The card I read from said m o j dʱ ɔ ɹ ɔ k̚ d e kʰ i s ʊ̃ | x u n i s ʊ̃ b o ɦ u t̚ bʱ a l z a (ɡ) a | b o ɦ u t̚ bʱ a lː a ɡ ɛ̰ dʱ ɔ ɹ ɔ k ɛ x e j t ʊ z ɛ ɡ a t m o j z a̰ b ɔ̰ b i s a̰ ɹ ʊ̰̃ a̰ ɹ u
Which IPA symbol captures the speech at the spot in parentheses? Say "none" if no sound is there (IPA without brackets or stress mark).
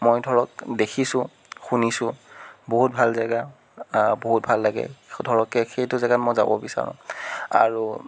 ɡ